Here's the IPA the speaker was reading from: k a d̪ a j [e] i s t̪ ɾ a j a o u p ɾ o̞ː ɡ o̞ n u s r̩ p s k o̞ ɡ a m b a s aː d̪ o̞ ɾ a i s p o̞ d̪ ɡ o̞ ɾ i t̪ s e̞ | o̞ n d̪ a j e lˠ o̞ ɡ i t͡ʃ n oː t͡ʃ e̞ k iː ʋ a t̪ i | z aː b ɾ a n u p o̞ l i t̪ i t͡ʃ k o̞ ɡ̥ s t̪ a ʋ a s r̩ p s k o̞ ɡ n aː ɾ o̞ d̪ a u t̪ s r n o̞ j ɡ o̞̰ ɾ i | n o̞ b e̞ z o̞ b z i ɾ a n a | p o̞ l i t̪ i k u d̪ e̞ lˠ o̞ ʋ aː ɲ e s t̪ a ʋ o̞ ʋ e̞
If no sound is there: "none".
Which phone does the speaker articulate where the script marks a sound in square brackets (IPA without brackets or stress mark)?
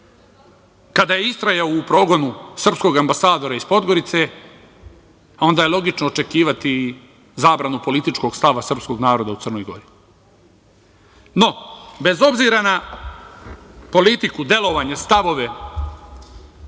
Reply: e